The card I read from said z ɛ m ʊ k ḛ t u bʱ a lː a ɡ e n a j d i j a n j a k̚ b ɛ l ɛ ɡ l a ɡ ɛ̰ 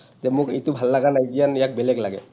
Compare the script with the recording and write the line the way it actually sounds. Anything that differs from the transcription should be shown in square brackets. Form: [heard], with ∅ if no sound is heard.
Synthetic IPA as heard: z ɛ m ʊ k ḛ t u bʱ a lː a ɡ [a] n a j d i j a n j a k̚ b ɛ l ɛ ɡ l a ɡ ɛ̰